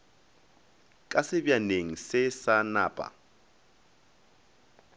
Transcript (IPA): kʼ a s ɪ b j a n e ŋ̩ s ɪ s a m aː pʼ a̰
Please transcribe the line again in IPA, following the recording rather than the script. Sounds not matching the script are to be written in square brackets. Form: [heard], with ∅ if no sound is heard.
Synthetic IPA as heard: kʼ a s ɪ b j a n e ŋ̩ s ɪ s a [n] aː pʼ a̰